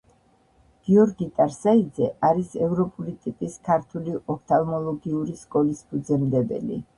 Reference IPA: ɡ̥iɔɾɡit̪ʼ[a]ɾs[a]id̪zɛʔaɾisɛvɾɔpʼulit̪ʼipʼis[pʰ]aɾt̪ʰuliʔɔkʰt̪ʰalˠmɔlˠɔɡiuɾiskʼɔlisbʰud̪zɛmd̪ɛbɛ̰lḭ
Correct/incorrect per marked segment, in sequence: correct, correct, incorrect

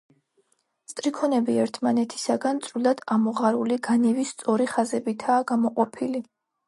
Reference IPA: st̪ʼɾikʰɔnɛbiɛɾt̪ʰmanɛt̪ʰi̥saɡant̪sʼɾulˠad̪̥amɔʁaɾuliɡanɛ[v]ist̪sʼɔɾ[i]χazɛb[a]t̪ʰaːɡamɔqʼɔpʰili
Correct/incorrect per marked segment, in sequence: correct, correct, incorrect

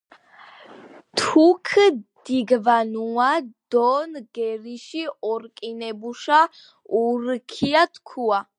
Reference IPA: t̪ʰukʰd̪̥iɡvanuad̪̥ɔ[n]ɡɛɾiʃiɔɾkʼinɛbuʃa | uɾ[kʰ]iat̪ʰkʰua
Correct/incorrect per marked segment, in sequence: correct, correct

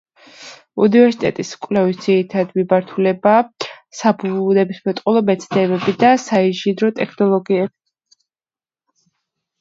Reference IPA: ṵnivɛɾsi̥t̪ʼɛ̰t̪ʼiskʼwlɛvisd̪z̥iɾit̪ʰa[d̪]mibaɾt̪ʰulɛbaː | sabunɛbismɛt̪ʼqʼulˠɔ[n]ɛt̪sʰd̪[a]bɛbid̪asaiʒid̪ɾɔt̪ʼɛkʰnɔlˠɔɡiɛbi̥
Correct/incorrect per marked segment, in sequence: correct, incorrect, incorrect

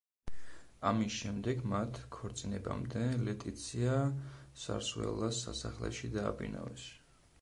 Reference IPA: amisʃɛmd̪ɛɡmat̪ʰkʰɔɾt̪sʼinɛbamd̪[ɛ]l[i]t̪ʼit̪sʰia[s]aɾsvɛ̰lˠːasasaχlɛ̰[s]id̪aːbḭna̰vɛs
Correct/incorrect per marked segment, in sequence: correct, incorrect, correct, incorrect

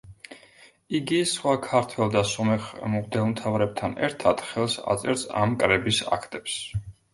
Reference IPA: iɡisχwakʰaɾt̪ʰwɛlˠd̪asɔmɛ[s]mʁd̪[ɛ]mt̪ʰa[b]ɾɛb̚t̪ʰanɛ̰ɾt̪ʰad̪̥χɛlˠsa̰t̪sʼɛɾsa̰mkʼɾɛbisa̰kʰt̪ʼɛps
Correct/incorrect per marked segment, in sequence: incorrect, correct, incorrect

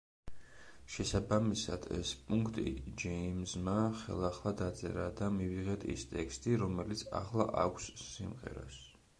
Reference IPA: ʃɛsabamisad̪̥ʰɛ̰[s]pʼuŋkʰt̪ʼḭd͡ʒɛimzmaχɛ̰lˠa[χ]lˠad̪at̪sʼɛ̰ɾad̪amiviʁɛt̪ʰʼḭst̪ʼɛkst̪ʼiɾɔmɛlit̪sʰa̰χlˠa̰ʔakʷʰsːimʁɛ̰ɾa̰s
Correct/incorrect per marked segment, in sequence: correct, correct

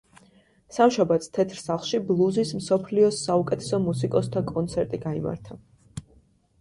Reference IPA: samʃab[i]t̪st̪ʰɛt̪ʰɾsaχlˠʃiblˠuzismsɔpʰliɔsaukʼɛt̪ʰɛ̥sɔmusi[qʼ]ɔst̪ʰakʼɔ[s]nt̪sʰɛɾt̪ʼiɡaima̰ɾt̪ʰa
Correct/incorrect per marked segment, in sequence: incorrect, incorrect, incorrect

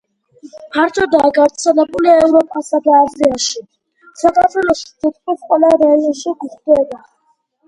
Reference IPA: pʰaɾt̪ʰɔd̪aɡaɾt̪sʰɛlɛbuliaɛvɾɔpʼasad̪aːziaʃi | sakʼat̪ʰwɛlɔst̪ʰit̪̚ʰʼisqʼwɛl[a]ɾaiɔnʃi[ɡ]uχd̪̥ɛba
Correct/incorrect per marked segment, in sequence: correct, correct

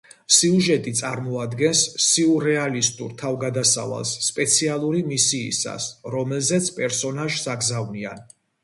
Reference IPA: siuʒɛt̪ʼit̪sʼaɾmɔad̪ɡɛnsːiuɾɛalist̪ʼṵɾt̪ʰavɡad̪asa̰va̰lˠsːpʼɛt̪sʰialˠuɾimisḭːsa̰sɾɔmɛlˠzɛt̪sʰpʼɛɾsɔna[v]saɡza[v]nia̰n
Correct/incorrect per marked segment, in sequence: incorrect, correct

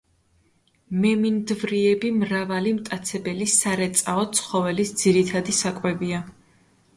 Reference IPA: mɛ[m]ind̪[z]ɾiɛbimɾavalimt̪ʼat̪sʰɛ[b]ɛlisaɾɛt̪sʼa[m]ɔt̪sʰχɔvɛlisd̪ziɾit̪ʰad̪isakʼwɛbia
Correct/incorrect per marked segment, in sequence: correct, incorrect, correct, incorrect

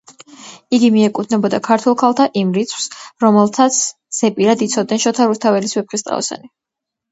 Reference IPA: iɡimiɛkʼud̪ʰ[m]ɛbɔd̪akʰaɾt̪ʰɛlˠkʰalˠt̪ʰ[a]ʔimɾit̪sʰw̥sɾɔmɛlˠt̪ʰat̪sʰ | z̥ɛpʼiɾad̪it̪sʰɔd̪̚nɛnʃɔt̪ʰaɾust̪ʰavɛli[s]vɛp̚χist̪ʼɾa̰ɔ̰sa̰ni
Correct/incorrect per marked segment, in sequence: incorrect, correct, correct

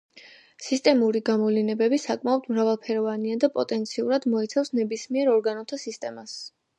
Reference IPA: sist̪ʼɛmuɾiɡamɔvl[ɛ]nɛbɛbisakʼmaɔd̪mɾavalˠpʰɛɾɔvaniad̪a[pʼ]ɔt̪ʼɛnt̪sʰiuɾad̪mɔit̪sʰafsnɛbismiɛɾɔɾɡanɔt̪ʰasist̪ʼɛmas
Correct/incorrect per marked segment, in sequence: incorrect, correct

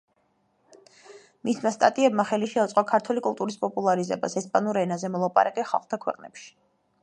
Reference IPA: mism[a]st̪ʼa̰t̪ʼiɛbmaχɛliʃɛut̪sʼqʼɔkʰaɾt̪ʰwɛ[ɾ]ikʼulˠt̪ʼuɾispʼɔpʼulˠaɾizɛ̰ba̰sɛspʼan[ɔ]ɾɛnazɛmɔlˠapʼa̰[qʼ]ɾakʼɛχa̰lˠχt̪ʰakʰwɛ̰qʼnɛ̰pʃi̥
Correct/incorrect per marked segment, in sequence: correct, incorrect, incorrect, incorrect

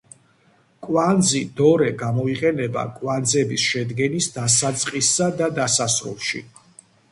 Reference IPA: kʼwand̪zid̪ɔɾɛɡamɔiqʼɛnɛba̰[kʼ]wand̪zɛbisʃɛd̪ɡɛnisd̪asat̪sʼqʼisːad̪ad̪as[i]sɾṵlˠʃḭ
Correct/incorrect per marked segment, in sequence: correct, incorrect

